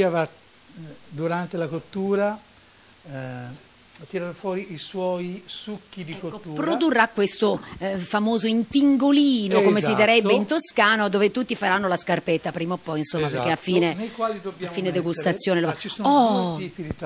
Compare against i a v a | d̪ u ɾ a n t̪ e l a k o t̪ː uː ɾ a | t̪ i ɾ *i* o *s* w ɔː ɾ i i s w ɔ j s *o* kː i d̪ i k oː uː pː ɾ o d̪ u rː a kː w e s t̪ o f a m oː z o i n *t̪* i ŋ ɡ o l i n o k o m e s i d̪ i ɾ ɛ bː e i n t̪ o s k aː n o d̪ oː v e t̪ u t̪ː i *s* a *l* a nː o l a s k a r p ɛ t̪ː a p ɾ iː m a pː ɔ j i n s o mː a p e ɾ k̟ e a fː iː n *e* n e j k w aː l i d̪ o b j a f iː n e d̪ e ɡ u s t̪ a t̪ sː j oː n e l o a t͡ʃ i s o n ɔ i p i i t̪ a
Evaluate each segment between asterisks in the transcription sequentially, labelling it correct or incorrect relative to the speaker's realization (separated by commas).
incorrect, incorrect, incorrect, correct, incorrect, incorrect, correct